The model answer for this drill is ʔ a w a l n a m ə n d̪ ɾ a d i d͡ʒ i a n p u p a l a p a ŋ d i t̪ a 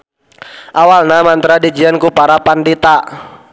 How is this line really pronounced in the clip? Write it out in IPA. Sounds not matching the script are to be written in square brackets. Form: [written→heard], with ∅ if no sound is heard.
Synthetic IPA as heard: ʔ a w a l n a m [ə→a] n [d̪→t̪] ɾ a d i d͡ʒ i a n [p→k] u p a [l→ɾ] a p a [ŋ→n] d i t̪ a